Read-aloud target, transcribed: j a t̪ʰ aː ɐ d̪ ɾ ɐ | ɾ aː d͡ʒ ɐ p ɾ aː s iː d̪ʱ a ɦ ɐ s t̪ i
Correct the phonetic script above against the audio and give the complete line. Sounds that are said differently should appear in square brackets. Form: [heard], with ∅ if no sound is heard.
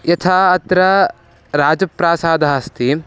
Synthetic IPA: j [ɐ] t̪ʰ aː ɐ [t̪] ɾ ɐ | ɾ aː d͡ʒ ɐ p ɾ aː s [aː] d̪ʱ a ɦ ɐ s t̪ i